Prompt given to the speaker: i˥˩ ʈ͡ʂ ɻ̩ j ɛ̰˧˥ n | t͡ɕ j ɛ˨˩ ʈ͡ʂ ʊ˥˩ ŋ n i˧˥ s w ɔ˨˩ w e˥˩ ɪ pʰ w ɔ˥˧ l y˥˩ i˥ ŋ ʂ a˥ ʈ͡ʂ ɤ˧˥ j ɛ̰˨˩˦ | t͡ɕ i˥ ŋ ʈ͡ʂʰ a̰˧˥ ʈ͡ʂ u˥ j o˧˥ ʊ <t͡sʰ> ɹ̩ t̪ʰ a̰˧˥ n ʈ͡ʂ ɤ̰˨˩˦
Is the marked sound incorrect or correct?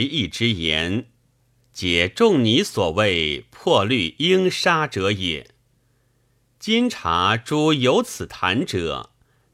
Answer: correct